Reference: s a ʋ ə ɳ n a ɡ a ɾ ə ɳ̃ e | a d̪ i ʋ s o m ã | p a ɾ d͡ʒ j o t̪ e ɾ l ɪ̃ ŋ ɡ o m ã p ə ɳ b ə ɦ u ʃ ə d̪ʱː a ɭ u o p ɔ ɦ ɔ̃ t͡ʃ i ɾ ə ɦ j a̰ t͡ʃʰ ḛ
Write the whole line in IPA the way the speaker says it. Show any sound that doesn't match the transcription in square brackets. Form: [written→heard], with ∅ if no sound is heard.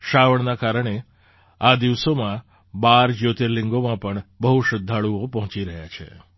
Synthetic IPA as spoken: [s→ʃ] a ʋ ə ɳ n a [ɡ→k] a ɾ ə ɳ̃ e | a d̪ i ʋ s o m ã | [p→b] a ɾ d͡ʒ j o t̪ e ɾ l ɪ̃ ŋ ɡ o m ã p ə ɳ b ə ɦ u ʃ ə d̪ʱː a ɭ u o p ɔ ɦ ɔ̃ t͡ʃ i ɾ ə ɦ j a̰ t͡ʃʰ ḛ